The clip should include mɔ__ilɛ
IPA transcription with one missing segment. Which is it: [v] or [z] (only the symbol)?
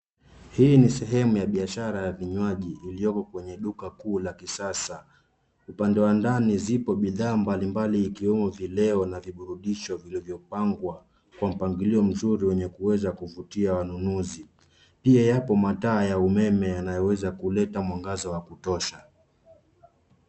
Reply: v